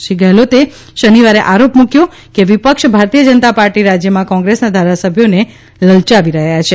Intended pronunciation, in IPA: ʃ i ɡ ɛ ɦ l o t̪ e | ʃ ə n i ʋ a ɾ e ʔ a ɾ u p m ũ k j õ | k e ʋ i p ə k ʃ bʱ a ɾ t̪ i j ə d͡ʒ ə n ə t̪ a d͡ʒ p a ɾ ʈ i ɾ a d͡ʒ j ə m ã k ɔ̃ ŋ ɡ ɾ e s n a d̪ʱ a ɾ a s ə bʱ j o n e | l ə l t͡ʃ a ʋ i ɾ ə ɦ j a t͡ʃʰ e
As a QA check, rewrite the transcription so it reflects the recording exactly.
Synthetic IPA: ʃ i ɡ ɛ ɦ l o t̪ e | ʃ ə n i ʋ a ɾ e ʔ a ɾ o p m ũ k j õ | k e ʋ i p ə k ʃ bʱ a ɾ t̪ i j ə d͡ʒ ə n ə t̪ a p a ɾ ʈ i ɾ a d͡ʒ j ə m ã k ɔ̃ ŋ ɡ ɾ e s n a d̪ʱ a ɾ a s ə bʱ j o n e | l ə l t͡ʃ a ʋ i ɾ ə ɦ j a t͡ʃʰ e